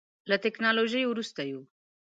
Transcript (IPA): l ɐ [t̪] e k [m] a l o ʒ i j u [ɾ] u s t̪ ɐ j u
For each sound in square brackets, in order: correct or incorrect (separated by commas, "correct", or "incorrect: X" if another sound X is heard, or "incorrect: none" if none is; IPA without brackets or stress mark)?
correct, incorrect: n, correct